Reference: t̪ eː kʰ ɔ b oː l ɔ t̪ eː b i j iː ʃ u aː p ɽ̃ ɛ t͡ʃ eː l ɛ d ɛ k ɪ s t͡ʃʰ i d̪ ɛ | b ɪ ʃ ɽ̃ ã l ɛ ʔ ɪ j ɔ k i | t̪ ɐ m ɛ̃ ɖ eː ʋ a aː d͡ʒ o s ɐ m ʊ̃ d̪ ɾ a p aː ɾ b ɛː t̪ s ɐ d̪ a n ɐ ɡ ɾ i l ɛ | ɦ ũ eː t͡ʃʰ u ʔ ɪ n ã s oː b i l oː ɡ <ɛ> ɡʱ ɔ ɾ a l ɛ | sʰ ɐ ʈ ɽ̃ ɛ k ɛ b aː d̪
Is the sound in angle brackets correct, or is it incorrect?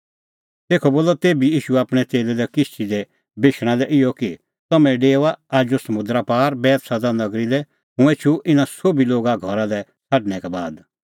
incorrect